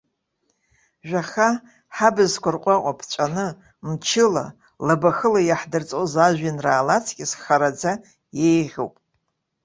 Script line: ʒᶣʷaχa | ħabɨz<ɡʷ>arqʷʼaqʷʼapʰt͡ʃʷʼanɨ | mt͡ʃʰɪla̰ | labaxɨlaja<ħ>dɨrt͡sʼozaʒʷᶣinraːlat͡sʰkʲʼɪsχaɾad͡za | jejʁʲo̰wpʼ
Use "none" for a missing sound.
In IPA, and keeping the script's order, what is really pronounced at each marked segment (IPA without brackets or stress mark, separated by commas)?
kʷ, ħ